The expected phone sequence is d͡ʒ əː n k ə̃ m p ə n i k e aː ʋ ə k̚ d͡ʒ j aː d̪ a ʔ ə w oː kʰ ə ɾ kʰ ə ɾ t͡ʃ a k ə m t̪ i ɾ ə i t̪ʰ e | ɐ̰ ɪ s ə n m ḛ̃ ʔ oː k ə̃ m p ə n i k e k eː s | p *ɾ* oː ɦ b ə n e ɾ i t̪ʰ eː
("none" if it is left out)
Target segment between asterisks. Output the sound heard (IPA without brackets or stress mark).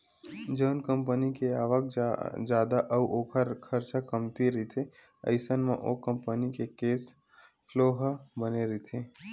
l